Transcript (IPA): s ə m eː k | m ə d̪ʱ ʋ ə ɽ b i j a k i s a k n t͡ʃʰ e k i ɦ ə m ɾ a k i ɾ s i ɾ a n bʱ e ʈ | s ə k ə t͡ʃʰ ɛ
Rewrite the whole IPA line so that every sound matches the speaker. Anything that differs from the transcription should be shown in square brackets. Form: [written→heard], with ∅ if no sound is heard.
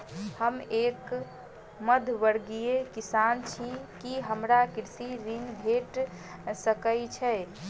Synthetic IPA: [s→h] ə m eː k | m ə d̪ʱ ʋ ə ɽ [b→ɡ] i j [a→e] k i s a [k→∅] n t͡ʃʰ [e→i] k i ɦ ə m ɾ a k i ɾ s i ɾ [a→i] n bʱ e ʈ | s ə k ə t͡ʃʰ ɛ